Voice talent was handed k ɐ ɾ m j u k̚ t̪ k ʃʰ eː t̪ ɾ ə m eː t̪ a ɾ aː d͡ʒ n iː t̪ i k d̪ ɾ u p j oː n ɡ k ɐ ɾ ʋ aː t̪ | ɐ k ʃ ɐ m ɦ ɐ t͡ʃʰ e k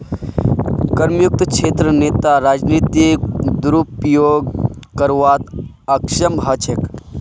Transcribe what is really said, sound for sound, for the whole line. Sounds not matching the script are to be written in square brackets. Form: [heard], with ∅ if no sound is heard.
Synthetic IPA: k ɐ ɾ m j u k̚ t̪ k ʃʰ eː t̪ ɾ ə [n] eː t̪ a ɾ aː d͡ʒ n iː t̪ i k d̪ ɾ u p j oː [∅] ɡ k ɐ ɾ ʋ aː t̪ | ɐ k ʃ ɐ m ɦ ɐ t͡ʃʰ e k

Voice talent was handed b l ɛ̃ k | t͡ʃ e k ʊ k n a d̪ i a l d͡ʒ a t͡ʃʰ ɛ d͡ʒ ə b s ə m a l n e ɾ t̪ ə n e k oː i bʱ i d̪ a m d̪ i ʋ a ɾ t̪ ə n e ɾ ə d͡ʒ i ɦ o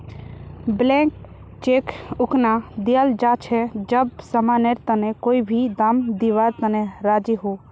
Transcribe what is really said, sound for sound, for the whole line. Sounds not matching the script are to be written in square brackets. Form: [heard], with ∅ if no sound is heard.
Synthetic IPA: b l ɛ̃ k | t͡ʃ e k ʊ k n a d̪ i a l d͡ʒ a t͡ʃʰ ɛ d͡ʒ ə b s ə m a [∅] n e ɾ t̪ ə n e k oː i bʱ i d̪ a m d̪ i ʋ a ɾ t̪ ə n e ɾ [a] d͡ʒ i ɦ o

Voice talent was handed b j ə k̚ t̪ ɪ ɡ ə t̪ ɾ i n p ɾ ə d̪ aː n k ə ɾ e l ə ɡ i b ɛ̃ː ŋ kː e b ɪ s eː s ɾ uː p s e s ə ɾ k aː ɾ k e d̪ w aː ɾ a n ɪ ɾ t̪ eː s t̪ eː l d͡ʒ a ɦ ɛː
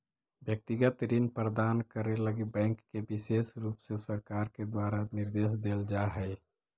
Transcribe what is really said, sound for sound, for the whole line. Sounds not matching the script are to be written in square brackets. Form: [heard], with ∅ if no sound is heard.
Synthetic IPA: b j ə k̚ t̪ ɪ ɡ ə t̪ ɾ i n p ɾ ə d̪ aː n k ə ɾ e l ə ɡ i b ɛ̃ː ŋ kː e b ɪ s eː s ɾ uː p s e s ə ɾ k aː ɾ k e d̪ w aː ɾ a n ɪ ɾ [d̪] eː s [d̪] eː l d͡ʒ a ɦ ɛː

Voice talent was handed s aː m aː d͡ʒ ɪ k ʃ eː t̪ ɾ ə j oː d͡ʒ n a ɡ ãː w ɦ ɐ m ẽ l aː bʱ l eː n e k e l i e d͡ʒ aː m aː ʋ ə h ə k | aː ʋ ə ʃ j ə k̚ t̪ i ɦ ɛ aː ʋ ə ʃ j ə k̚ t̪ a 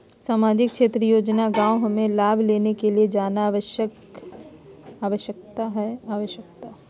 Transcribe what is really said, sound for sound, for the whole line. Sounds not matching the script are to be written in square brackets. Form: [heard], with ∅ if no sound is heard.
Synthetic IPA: s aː m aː d͡ʒ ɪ k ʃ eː t̪ ɾ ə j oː d͡ʒ n a ɡ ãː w ɦ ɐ m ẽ l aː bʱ l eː n e k e l i e d͡ʒ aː [n] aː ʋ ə [ʃ] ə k | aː ʋ ə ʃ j ə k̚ t̪ [a] ɦ ɛ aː ʋ ə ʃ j ə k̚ t̪ a

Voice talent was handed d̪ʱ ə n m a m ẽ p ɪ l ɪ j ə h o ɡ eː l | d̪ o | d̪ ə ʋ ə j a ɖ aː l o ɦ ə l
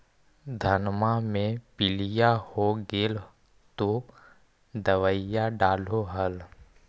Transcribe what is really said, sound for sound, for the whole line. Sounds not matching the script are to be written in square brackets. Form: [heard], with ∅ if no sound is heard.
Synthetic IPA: d̪ʱ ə n m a m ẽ p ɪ l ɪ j [a] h o ɡ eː l | [t̪] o | d̪ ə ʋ ə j a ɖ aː l o ɦ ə l

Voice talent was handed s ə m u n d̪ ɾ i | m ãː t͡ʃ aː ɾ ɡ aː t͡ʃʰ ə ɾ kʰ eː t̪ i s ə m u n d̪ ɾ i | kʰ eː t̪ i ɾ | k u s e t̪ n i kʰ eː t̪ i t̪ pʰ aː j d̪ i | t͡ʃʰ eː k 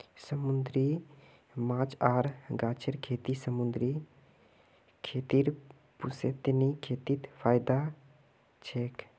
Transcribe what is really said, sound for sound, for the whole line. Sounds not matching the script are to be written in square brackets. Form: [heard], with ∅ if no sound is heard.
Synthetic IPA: s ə m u n d̪ ɾ i | m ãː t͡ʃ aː ɾ ɡ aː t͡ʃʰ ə ɾ kʰ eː t̪ i s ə m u n d̪ ɾ i | kʰ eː t̪ i ɾ | [p] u s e t̪ n i kʰ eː t̪ i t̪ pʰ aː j d̪ [a] | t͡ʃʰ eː k

